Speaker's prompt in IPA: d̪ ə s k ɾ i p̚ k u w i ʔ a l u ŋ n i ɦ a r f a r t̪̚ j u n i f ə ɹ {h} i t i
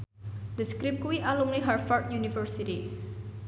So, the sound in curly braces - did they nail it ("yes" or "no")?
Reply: no